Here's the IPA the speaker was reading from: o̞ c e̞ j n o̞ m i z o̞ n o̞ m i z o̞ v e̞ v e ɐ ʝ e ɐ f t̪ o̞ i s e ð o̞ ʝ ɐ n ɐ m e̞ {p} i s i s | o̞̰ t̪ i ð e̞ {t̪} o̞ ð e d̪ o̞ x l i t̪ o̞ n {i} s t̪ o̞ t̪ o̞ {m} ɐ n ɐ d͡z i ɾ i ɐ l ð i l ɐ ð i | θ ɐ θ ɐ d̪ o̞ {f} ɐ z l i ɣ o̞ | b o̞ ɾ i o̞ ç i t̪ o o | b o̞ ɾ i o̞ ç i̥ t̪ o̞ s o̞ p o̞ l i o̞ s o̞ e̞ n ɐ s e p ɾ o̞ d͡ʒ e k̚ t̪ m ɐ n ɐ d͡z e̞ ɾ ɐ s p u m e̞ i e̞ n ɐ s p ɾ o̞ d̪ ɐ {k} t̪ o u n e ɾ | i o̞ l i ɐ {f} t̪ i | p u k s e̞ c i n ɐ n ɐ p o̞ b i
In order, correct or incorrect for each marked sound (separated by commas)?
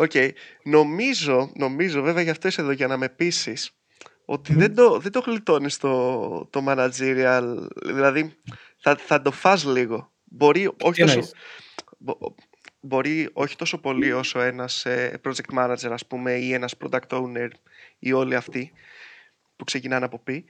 correct, incorrect, correct, correct, correct, correct, correct